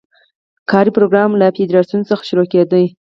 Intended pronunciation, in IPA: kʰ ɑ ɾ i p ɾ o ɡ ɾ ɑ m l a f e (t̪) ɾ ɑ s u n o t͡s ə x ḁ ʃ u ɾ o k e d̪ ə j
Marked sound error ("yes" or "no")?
yes